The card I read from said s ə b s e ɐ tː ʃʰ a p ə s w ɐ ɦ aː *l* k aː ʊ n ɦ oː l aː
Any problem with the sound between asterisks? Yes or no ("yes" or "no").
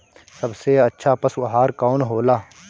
yes